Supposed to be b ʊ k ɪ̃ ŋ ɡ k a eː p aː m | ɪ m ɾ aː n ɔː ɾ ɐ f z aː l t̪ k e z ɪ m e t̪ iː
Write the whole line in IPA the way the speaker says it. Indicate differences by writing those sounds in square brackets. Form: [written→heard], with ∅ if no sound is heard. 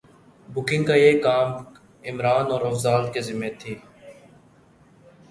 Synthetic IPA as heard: b ʊ k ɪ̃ ŋ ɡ k a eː [p→k] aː m | ɪ m ɾ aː n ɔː ɾ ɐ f z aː l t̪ k e z ɪ m e [t̪→t̪ʰ] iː